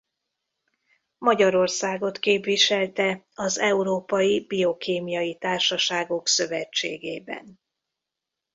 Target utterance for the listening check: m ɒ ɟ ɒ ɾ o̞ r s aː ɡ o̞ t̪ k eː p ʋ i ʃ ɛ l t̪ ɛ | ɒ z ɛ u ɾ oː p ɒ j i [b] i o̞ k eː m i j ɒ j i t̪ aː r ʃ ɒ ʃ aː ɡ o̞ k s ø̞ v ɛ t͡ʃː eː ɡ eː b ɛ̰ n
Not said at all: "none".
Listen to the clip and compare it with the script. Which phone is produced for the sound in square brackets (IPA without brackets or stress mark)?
b